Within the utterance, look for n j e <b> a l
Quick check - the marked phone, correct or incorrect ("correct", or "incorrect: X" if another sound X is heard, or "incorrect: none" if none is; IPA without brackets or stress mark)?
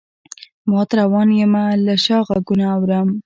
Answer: incorrect: m